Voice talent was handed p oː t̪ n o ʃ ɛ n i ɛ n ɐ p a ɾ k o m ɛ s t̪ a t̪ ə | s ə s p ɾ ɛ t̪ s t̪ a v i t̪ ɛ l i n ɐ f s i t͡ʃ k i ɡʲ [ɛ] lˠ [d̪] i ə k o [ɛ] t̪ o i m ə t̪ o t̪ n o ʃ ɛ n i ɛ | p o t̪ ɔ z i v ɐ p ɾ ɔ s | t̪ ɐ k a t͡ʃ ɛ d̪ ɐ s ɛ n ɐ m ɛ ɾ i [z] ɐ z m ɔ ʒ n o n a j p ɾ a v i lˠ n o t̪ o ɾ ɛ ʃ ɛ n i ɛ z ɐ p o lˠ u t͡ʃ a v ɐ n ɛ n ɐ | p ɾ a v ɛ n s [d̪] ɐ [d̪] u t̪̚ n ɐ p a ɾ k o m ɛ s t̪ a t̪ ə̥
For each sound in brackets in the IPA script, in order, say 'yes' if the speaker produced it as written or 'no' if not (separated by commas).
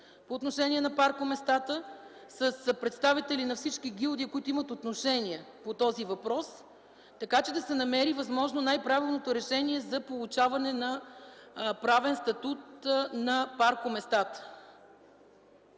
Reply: no, yes, no, no, no, no